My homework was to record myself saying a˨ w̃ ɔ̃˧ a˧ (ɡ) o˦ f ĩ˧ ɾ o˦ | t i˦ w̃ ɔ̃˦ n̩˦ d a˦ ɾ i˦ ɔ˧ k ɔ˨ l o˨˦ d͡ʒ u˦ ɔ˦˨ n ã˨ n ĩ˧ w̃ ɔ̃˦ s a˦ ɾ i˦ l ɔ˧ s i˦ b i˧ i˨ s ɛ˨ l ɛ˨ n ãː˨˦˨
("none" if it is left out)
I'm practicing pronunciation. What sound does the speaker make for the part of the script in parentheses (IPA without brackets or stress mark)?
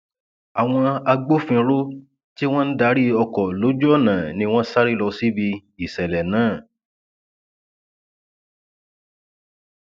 ɡ͡b